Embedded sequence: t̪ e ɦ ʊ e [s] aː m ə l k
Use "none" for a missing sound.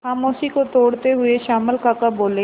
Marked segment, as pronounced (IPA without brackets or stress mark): ʃ